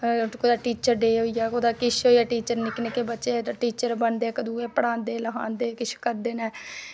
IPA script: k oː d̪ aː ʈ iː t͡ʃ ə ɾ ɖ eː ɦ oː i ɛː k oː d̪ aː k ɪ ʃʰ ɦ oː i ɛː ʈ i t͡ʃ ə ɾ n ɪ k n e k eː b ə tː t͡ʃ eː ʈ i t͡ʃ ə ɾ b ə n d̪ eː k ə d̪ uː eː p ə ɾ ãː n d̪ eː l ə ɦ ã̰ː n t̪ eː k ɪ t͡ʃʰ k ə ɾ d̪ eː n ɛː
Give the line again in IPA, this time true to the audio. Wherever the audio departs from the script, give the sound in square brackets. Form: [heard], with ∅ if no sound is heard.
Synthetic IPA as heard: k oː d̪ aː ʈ iː t͡ʃ ə ɾ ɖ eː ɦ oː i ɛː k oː d̪ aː k ɪ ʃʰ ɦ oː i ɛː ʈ [iː] t͡ʃ ə ɾ n ɪ k n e k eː b ə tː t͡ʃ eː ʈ [iː] t͡ʃ ə ɾ b ə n d̪ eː k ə d̪ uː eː p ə [ɽ] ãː n d̪ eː l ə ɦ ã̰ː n [d̪] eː k ɪ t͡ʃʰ k ə ɾ d̪ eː n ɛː